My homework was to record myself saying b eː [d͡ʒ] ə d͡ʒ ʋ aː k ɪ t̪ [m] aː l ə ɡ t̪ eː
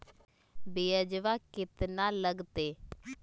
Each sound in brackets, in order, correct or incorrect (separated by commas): incorrect, incorrect